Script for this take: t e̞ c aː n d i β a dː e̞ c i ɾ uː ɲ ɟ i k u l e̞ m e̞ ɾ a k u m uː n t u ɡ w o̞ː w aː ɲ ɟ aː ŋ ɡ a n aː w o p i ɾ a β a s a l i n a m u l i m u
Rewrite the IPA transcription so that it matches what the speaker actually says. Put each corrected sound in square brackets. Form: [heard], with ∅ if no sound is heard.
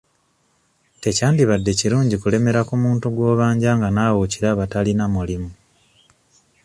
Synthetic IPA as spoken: t e̞ c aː n d i β a dː e̞ c i ɾ uː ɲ ɟ i k u l e̞ m e̞ ɾ a k u m uː n t u ɡ w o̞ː [β] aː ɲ ɟ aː ŋ ɡ a n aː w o [c] i ɾ a β a [t] a l i n a m u l i m u